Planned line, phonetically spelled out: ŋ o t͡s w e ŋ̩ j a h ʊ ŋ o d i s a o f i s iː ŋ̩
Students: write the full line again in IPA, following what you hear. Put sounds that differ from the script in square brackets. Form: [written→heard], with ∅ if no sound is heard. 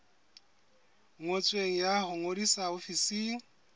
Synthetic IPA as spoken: ŋ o [t͡s→t͡sʼ] w e ŋ̩ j a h ʊ ŋ o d i s a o f i s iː ŋ̩